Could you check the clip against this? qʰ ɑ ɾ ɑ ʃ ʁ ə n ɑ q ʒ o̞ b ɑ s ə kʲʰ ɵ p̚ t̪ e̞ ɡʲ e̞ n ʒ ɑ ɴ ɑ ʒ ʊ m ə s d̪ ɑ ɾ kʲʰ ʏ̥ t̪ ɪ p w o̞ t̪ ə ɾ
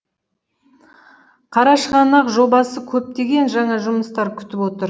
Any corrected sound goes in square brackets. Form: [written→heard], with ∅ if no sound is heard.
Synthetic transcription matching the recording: qʰ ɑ ɾ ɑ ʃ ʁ [ə→ɑ] n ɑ q ʒ o̞ b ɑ s ə kʲʰ ɵ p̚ t̪ e̞ ɡʲ e̞ n ʒ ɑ ɴ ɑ ʒ ʊ m ə s [d̪→t̪] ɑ ɾ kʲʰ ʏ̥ t̪ ɪ p w o̞ t̪ ə ɾ